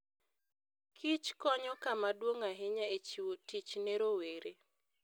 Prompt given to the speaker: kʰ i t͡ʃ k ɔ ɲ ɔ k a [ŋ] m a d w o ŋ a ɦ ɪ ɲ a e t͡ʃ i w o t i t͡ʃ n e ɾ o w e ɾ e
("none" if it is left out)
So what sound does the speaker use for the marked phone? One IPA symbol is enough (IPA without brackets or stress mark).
none